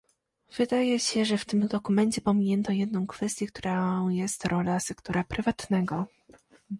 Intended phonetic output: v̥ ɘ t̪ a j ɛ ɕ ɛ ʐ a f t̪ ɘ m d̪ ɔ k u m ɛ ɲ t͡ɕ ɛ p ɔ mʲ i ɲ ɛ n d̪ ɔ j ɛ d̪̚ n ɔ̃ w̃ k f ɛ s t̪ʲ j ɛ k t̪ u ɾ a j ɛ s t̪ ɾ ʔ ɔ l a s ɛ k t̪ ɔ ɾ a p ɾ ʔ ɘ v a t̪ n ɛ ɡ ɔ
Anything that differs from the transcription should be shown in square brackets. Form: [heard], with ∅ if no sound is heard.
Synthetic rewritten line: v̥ ɘ [d̪] a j ɛ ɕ ɛ ʐ [ɛ] f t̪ ɘ m d̪ ɔ k u m ɛ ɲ t͡ɕ ɛ p ɔ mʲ i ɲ ɛ n [t̪] ɔ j ɛ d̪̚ n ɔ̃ w̃ k f ɛ s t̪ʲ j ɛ k t̪ u ɾ a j ɛ s t̪ ɾ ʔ ɔ l a s ɛ k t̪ ɔ ɾ a p ɾ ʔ ɘ v a t̪ n ɛ ɡ ɔ